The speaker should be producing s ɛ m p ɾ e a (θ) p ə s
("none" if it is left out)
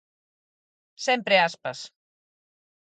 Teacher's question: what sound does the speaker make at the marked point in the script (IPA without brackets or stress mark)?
s